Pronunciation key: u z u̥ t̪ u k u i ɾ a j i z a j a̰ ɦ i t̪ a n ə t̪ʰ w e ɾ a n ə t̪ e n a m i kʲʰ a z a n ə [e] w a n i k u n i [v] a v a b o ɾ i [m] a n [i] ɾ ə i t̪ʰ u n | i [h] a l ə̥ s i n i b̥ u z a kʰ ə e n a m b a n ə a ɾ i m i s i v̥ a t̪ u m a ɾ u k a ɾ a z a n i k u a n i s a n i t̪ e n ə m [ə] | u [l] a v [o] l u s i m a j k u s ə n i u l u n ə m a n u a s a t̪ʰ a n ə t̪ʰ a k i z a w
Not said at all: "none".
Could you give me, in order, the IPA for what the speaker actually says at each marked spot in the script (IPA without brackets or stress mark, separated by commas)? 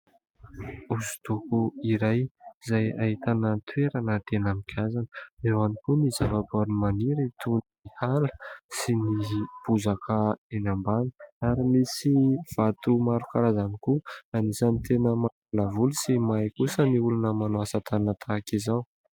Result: e, z, m, i, h, a, l, u